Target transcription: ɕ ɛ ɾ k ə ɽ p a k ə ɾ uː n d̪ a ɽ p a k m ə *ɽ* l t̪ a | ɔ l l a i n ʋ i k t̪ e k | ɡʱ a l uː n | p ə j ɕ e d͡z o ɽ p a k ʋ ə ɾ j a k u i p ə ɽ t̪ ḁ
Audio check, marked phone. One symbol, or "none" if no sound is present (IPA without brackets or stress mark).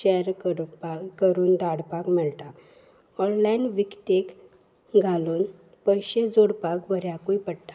none